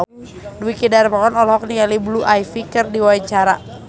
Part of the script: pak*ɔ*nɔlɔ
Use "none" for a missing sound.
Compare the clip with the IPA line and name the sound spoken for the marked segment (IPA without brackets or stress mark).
ɔ